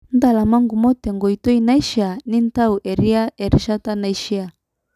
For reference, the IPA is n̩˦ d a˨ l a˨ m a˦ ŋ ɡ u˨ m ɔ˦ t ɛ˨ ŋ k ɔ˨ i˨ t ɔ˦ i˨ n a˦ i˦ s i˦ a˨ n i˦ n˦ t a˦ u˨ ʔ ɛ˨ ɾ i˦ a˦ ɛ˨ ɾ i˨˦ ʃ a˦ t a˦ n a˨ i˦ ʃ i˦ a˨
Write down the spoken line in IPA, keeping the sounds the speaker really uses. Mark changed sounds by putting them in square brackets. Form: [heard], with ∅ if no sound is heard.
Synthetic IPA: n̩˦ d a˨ l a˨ m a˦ ŋ ɡ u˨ m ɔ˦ t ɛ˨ ŋ [ɡ] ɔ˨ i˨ t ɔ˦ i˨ n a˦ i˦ [ʃ] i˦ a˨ n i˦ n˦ t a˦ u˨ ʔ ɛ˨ ɾ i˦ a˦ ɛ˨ ɾ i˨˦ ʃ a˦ t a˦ n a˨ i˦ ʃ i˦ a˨